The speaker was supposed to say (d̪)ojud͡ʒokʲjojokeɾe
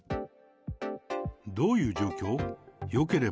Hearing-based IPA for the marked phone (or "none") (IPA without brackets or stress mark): d̪